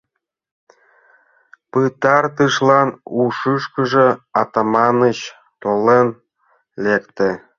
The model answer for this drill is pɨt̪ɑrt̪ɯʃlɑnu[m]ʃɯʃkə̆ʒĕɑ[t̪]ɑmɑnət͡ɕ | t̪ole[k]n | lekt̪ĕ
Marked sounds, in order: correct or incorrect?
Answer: incorrect: none, correct, incorrect: none

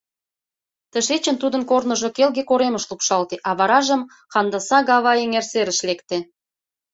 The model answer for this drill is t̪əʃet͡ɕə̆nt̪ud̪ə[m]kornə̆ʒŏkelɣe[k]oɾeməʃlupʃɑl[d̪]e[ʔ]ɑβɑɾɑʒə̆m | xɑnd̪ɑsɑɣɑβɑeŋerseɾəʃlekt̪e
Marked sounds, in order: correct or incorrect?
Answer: incorrect: n, correct, incorrect: t̪, correct

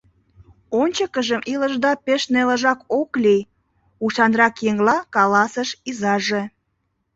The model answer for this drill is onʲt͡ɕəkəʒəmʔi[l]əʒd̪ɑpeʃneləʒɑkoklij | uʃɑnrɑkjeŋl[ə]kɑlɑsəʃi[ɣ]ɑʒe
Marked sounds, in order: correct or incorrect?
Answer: correct, incorrect: ɑ, incorrect: z

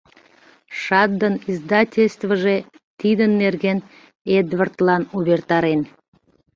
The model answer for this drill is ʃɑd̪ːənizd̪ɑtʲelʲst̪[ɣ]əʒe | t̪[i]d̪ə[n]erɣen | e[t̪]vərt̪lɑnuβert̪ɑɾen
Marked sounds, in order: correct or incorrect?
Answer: incorrect: v, correct, incorrect: nː, incorrect: d̪

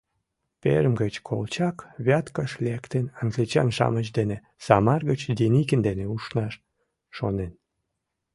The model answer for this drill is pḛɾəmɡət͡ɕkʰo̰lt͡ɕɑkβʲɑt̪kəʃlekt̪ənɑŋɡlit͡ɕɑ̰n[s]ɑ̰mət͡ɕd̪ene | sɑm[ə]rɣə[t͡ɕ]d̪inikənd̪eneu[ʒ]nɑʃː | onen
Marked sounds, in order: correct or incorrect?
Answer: incorrect: ʃ, incorrect: ɑ, correct, incorrect: ʃ

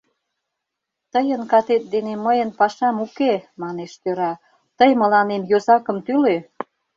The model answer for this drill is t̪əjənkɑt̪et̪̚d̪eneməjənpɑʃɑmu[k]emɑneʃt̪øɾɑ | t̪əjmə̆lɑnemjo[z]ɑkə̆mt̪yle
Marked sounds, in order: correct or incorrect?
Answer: correct, correct

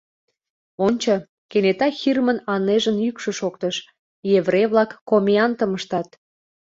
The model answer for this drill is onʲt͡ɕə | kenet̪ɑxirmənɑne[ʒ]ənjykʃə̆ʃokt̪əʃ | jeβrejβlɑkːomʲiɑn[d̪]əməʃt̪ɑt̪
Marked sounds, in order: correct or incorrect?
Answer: correct, incorrect: t̪

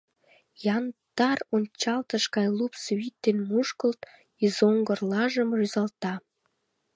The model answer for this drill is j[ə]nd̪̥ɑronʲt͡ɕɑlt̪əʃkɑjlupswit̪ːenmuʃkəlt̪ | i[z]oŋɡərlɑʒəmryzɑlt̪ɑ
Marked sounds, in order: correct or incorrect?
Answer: incorrect: ɑ, correct

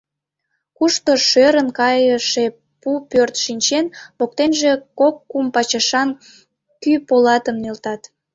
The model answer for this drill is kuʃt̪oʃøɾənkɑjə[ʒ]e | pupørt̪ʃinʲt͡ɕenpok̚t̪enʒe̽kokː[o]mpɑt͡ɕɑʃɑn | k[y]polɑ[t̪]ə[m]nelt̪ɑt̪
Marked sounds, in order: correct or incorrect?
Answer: incorrect: ʃ, incorrect: u, correct, correct, correct

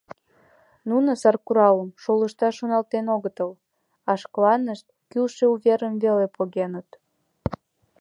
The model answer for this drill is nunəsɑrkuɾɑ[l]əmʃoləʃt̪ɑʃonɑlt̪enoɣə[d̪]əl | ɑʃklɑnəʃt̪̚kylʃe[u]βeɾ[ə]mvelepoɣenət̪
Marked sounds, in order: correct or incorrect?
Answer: correct, incorrect: t̪, correct, correct

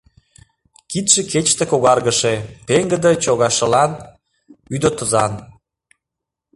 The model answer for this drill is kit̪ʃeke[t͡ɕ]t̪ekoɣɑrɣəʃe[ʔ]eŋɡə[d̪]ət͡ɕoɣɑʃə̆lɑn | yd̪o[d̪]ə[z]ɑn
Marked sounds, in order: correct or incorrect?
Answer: correct, incorrect: p, correct, incorrect: t̪, correct

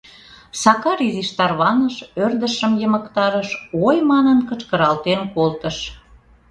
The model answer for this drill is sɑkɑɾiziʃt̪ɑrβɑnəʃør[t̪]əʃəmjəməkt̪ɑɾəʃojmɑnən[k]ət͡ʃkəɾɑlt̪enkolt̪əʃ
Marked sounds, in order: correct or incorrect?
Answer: incorrect: d̪, correct

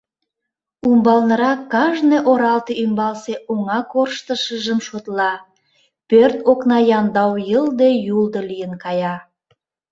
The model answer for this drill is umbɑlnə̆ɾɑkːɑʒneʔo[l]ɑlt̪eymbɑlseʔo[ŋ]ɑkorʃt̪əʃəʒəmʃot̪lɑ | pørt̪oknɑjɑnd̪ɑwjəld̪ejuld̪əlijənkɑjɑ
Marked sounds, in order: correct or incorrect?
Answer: incorrect: ɾ, correct

